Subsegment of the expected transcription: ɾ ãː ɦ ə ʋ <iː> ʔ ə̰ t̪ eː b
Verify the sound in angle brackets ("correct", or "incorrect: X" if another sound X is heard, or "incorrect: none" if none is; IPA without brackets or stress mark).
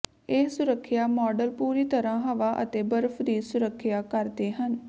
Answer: incorrect: aː